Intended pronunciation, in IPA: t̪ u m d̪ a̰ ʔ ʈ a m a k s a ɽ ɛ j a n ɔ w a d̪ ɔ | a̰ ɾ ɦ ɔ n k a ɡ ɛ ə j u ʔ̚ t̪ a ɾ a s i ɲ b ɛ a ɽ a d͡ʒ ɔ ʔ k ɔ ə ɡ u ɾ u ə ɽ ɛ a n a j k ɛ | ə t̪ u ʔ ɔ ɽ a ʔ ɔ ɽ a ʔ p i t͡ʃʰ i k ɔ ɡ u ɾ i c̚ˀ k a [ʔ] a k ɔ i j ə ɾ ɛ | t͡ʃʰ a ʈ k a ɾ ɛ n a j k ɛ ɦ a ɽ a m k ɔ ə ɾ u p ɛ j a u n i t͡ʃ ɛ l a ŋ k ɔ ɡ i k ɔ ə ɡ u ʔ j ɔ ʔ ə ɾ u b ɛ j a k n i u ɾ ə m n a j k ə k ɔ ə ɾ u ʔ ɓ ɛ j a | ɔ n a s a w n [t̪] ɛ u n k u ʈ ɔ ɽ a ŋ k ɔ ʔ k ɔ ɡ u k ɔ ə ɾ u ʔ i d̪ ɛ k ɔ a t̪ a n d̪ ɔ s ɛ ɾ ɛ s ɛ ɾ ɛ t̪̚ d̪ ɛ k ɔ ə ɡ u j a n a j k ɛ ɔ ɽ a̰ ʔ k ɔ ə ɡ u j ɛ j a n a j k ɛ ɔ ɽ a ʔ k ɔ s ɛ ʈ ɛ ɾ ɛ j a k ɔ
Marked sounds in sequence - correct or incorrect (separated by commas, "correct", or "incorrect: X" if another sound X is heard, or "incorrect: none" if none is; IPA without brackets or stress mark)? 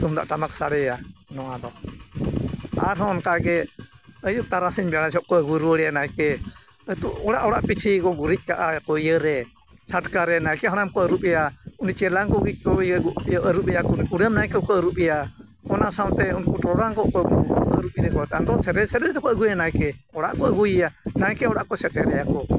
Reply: correct, correct